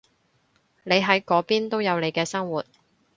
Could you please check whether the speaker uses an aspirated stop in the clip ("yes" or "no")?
no